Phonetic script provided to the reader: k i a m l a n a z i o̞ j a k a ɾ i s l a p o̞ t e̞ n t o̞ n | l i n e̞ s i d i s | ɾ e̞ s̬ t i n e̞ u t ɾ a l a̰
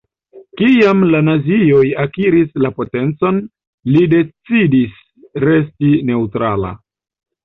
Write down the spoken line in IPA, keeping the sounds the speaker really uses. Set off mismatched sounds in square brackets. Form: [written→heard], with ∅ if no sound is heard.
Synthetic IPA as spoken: k i a m l a n a z i o̞ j a k [a→i] ɾ i s l a p o̞ t e̞ n [t→t͡s] o̞ n | l i [n→d] e̞ [s→t͡s] i d i s | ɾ e̞ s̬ t i n e̞ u t ɾ a l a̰

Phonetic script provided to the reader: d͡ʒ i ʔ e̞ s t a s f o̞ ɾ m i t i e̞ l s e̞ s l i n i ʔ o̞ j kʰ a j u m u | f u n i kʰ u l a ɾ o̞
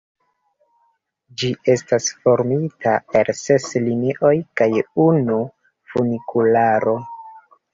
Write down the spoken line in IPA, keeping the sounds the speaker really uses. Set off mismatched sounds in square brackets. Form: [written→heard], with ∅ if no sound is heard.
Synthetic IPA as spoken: d͡ʒ i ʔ e̞ s t a s f o̞ ɾ m i t [i→a] e̞ l s e̞ s l i n i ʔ o̞ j [kʰ→k] a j u [m→n] u | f u n i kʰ u l a ɾ o̞

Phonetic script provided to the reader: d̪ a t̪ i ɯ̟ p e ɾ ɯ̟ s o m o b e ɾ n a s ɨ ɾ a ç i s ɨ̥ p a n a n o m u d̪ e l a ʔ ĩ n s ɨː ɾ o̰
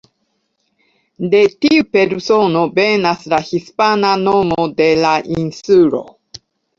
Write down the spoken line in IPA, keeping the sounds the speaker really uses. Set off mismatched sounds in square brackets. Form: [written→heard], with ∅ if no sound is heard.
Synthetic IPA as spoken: d̪ [a→e] t̪ i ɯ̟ p e ɾ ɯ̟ s o [m→n] o b e [ɾ→∅] n a s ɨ ɾ a ç i s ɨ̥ p a n a n o m [u→o] d̪ e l a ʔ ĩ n s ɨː ɾ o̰

